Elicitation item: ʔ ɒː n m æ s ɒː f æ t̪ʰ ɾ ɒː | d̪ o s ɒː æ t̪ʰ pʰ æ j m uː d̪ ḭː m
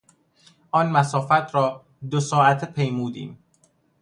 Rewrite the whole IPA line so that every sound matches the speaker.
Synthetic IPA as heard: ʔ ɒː n m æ s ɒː f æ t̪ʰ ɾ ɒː | d̪ o s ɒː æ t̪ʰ pʰ e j m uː d̪ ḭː m